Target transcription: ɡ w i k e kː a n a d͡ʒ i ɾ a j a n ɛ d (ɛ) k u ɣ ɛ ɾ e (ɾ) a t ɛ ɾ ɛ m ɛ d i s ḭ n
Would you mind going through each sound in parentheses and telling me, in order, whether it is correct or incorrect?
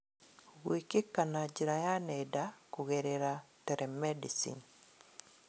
incorrect, correct

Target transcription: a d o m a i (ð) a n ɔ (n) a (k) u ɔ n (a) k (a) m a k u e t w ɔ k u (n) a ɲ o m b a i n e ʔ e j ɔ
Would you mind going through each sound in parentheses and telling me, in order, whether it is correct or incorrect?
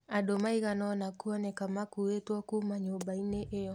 incorrect, correct, correct, incorrect, correct, incorrect

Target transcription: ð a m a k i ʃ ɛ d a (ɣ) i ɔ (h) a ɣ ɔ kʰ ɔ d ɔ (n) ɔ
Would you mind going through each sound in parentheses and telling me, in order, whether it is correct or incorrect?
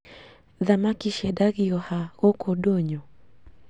correct, correct, incorrect

